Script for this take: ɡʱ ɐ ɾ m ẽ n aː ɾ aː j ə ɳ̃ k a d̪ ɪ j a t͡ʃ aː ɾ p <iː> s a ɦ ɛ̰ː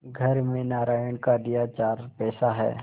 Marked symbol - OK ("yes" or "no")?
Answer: no